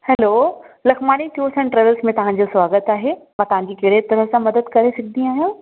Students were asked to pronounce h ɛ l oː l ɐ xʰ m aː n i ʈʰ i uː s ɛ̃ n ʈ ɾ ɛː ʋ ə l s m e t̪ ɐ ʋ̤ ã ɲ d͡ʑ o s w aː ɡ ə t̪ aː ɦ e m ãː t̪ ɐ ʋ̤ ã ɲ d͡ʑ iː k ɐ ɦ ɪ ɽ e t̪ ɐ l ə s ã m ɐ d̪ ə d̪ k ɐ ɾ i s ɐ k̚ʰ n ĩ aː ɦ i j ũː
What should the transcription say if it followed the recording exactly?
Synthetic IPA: h ɛ l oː l ɐ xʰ m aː n i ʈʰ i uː s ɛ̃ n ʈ ɾ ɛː ʋ ə l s m ẽ t̪ ɐ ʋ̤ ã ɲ d͡ʑ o s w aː ɡ ə t̪ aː ɦ e m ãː t̪ ɐ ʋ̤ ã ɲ d͡ʑ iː k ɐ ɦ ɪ ɽ e t̪ ɐ ɾ ə s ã m ɐ d̪ ə d̪ k ɐ ɾ e s ɐ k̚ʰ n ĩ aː ɦ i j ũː

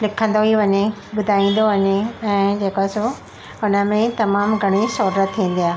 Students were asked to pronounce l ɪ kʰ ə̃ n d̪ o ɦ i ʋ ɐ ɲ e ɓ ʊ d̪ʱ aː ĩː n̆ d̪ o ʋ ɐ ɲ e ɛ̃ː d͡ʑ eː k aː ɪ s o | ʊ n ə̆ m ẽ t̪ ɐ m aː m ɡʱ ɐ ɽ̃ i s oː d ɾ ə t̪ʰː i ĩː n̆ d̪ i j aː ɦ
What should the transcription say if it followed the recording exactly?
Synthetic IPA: l ɪ kʰ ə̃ n d̪ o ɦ i ʋ ɐ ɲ e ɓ ʊ d̪ʱ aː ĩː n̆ d̪ o ʋ ɐ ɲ e ɛ̃ː d͡ʑ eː k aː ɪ s o | ʊ n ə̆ m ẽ t̪ ɐ m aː m ɡʱ ɐ ɽ̃ i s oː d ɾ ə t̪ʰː i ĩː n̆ d̪ i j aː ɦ

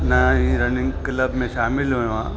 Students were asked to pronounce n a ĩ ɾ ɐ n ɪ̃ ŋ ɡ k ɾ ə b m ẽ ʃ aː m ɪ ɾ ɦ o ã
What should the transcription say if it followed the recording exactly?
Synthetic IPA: n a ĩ ɾ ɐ n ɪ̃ ŋ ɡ k l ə b m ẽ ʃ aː m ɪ l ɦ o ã

